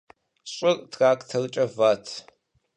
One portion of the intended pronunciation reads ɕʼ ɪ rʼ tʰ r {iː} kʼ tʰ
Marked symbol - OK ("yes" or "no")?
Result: no